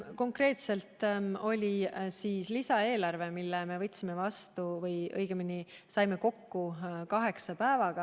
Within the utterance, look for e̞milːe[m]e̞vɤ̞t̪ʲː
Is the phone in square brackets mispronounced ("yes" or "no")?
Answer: no